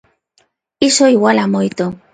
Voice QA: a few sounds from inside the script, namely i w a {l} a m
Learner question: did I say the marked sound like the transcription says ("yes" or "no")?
yes